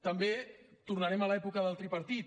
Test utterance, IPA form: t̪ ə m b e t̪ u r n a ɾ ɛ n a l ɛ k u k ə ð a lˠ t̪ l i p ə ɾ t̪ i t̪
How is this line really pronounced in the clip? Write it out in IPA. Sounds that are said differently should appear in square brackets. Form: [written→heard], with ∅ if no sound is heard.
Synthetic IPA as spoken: t̪ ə m b e t̪ u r n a ɾ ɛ [n→m] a l ɛ [k→p] u k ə ð a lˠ t̪ [l→ɾ] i p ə ɾ t̪ i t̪